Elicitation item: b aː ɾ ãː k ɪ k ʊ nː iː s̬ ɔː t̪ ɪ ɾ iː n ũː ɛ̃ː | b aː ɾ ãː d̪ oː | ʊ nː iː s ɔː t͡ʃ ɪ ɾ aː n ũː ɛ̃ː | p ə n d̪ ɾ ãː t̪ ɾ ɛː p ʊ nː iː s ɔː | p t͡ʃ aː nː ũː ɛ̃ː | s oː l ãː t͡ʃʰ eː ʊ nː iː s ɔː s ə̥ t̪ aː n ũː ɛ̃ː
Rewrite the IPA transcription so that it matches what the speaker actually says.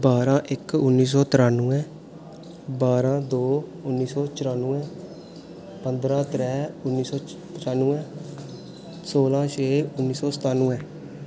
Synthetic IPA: b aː ɾ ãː ʔ ɪ k ʊ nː iː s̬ ɔː t̪ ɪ ɾ aː n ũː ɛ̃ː | b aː ɾ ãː d̪ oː | ʊ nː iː s ɔː t͡ʃ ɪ ɾ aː n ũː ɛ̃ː | p ə n d̪ ɾ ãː t̪ ɾ ɛː ʊ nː iː s ɔː | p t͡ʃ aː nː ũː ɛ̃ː | s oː l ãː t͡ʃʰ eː ʊ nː iː s ɔː s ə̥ t̪ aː n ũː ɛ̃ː